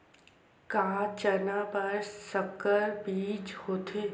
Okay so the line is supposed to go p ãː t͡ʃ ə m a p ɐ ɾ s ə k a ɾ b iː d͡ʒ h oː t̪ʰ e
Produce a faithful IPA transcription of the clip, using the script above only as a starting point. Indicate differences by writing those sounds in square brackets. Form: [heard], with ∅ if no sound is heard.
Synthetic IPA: [k] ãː t͡ʃ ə [n] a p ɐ ɾ s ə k [ə] ɾ b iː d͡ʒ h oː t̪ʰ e